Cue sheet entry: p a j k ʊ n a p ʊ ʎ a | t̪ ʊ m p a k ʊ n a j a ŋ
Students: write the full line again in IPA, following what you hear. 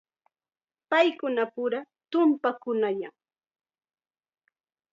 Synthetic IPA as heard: p a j k ʊ n a p ʊ ɾ a | t̪ ʊ m p a k ʊ n a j a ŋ